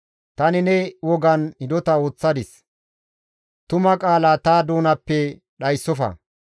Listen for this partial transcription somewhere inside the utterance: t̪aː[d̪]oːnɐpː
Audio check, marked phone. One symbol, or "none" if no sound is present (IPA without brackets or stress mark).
d̪